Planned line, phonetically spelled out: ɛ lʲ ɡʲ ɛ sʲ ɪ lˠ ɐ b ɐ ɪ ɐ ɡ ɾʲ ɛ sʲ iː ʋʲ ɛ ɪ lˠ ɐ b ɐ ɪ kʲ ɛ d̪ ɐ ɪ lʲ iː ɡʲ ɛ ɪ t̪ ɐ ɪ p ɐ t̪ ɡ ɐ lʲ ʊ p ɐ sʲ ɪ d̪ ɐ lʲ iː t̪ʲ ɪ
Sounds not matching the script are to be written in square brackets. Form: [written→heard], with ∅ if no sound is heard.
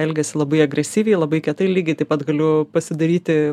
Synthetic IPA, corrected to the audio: ɛ lʲ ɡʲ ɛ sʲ ɪ lˠ ɐ b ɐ ɪ ɐ ɡ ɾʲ ɛ sʲ iː ʋʲ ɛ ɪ lˠ ɐ b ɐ ɪ kʲ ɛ [d̪→t̪] ɐ ɪ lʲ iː ɡʲ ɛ ɪ t̪ ɐ ɪ p ɐ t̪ ɡ ɐ lʲ ʊ p ɐ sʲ ɪ d̪ ɐ [lʲ→ɾʲ] iː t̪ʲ ɪ